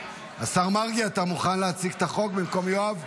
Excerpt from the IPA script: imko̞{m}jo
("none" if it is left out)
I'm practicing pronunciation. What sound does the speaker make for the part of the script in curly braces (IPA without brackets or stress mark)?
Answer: m